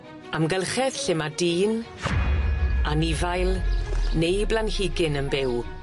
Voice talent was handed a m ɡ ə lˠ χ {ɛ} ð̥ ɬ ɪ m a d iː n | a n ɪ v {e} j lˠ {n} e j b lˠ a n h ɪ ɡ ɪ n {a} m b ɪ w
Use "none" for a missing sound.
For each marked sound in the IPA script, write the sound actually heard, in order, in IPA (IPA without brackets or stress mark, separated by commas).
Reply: ɛ, a, n, ə